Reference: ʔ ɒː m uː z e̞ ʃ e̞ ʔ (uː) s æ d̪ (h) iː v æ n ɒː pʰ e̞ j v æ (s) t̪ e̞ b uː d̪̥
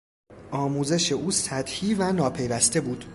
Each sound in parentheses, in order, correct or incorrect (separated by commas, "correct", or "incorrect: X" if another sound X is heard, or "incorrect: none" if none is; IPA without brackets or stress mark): correct, correct, correct